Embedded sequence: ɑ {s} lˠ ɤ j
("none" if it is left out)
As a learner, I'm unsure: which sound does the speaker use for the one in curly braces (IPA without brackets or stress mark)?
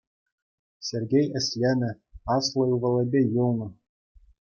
s